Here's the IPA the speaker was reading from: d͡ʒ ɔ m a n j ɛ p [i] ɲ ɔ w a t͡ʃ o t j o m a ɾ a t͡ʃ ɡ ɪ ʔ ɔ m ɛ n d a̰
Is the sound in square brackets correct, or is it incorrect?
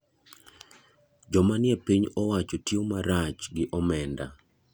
correct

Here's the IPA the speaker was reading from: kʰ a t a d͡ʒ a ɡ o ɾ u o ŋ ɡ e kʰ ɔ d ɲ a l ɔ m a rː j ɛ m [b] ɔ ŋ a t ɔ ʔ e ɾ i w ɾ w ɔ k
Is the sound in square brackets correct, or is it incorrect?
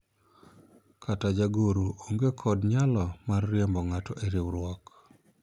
correct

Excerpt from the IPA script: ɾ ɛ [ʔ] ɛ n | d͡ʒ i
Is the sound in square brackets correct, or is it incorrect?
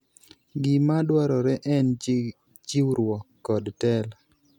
correct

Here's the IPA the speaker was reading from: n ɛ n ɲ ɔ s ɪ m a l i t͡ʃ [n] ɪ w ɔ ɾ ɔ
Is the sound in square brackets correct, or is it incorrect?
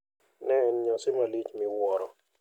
incorrect: m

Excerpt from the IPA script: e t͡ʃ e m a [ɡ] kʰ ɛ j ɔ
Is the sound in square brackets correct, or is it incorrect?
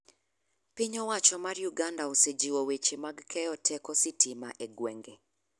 correct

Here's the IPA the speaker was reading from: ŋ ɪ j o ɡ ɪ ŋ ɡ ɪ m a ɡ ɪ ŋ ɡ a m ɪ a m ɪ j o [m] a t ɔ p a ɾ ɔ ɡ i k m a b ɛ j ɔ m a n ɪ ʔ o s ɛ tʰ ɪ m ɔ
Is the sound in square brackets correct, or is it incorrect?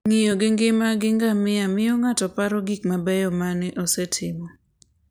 incorrect: ŋ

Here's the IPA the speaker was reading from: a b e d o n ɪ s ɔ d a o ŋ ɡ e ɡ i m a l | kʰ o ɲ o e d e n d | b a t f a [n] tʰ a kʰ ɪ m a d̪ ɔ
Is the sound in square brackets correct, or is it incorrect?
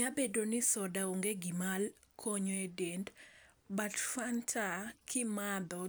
correct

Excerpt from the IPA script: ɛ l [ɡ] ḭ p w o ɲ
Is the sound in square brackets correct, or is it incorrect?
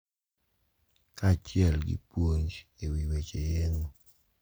correct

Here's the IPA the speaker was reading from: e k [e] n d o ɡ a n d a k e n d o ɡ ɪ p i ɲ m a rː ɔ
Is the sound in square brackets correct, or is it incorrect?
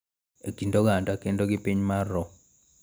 incorrect: i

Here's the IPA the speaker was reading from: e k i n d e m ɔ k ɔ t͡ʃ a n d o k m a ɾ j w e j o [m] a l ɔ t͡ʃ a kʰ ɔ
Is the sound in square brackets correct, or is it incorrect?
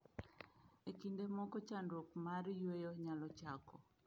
incorrect: ɲ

